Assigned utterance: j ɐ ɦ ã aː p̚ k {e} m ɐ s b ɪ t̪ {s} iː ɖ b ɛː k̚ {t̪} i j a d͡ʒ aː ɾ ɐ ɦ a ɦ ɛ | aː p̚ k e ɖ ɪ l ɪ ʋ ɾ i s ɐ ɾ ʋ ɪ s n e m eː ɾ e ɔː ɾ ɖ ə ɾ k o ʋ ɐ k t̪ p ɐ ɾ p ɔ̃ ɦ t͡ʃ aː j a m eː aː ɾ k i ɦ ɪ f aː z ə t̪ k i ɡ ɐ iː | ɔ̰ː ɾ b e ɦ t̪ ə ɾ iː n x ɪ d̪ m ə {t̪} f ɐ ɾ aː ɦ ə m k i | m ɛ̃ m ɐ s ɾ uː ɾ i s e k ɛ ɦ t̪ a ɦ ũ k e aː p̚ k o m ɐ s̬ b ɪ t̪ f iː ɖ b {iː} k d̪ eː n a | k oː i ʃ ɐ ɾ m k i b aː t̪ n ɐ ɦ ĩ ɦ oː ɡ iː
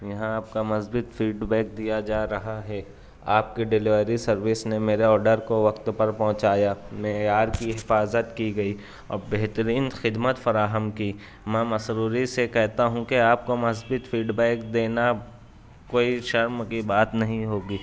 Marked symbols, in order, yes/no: no, no, no, yes, no

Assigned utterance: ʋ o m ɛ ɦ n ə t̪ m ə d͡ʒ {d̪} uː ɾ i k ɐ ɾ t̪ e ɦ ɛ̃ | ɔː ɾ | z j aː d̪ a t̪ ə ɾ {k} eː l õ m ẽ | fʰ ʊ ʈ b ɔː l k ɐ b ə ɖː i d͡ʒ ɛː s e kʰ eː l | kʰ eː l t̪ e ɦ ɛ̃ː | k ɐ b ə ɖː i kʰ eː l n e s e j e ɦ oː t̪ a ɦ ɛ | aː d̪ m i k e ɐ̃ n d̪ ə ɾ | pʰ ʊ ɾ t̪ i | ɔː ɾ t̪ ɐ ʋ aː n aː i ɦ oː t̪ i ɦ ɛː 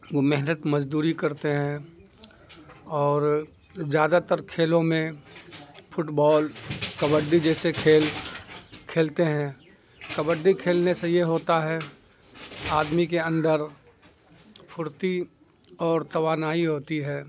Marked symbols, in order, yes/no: yes, no

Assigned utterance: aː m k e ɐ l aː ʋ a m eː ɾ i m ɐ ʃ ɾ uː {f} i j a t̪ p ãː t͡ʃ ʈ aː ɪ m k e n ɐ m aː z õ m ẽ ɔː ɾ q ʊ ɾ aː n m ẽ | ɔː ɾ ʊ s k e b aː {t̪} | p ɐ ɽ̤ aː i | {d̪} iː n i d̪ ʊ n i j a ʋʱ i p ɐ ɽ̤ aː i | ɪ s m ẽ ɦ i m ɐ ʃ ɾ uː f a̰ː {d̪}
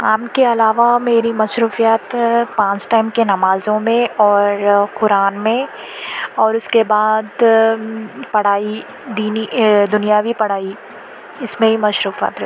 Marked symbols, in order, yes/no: yes, no, yes, no

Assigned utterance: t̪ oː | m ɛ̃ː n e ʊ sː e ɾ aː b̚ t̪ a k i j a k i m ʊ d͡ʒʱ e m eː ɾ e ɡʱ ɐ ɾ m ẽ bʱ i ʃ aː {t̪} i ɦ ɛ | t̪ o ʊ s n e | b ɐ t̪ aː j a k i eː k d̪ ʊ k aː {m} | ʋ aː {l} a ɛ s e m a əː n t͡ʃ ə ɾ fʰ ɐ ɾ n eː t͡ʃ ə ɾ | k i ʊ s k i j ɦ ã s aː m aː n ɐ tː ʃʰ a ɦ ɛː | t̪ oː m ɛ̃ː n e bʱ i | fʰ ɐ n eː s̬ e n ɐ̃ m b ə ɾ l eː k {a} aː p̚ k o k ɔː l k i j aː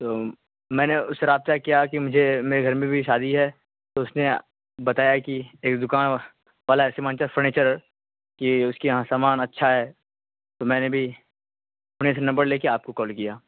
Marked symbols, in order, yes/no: no, no, yes, no

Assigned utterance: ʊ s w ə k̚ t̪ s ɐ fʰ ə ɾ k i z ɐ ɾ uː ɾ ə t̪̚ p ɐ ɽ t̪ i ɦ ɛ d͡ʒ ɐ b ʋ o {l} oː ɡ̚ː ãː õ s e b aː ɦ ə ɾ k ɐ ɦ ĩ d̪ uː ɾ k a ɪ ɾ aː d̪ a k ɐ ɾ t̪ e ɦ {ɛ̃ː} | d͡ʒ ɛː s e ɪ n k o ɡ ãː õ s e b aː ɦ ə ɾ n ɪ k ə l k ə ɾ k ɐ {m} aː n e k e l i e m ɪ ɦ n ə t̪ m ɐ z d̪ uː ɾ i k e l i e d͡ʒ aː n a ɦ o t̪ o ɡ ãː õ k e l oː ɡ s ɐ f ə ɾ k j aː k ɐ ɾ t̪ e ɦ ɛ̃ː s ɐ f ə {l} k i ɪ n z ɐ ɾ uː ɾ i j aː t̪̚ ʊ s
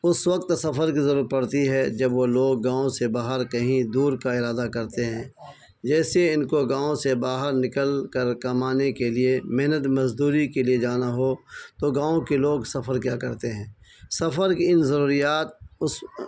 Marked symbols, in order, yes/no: yes, yes, yes, no

